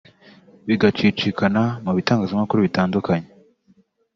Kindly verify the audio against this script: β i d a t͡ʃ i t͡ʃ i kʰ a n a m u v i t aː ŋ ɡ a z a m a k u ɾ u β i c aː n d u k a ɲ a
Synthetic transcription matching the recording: β i ɡ a t͡ʃ i t͡ʃ i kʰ a n a m u β i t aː ŋ ɡ a z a m a k u ɾ u β i t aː n d u k a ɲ e